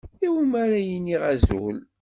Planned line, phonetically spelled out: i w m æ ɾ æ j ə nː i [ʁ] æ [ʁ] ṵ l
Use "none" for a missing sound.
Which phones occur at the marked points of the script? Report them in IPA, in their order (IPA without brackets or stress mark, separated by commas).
ʁ, z